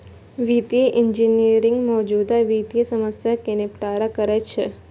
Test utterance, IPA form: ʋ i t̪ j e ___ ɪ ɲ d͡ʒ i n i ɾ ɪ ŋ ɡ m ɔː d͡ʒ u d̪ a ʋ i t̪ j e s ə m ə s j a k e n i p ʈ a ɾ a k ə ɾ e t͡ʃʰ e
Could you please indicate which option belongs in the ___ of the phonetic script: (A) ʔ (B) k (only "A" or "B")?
A